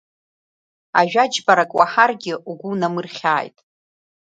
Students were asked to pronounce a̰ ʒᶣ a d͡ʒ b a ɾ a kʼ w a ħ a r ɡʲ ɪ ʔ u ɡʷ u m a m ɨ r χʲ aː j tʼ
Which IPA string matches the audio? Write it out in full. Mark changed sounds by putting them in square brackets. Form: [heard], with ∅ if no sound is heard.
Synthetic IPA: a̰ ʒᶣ a d͡ʒ b a ɾ a kʼ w a ħ a r ɡʲ ɪ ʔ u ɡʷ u [n] a m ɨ r χʲ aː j tʼ